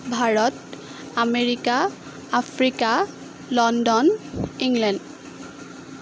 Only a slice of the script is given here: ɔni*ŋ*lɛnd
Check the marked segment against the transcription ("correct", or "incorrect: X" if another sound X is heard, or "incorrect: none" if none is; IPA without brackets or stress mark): correct